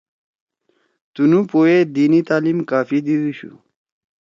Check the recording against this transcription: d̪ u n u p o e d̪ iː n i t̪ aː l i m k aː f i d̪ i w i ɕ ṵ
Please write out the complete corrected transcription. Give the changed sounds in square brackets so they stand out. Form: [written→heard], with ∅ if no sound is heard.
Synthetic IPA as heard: [d̪→t̪] u n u p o e d̪ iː n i t̪ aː l i m k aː f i d̪ i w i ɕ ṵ